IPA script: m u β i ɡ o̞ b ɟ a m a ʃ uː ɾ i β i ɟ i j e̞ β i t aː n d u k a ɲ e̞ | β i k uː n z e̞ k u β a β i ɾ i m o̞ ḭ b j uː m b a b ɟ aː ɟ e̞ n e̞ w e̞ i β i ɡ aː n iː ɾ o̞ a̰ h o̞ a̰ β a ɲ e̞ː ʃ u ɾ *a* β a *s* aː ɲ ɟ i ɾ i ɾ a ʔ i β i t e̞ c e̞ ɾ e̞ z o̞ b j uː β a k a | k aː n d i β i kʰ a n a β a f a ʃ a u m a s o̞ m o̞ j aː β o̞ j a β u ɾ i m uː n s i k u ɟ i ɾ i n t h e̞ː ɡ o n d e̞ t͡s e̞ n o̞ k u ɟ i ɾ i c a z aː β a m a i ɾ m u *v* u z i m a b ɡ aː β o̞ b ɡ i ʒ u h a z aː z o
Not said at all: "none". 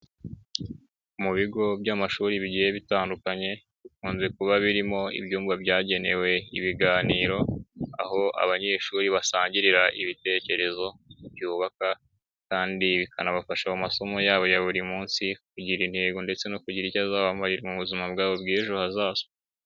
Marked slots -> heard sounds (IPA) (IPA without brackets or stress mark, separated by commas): i, s, β